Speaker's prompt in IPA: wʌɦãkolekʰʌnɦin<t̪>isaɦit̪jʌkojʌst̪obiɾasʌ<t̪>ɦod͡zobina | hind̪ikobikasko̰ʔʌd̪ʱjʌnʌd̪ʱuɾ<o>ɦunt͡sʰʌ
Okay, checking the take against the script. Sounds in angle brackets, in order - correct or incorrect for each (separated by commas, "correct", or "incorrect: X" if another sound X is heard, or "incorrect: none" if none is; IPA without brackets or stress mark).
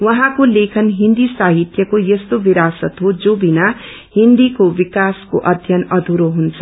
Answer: incorrect: d̪, correct, correct